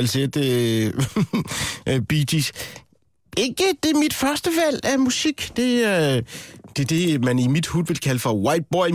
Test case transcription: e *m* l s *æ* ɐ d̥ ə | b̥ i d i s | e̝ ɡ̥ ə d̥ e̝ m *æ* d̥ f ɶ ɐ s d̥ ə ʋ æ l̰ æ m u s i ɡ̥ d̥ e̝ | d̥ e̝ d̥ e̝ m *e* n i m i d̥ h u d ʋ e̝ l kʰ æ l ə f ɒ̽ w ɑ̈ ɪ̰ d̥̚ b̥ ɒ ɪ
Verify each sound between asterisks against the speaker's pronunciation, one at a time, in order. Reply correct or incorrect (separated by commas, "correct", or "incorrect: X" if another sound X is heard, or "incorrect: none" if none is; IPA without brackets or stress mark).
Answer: incorrect: none, incorrect: e, incorrect: i, incorrect: æ